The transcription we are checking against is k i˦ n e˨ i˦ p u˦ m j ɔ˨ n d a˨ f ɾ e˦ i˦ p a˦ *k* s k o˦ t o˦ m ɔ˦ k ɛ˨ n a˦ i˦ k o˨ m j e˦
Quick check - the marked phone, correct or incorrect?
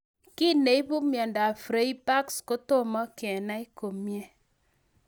correct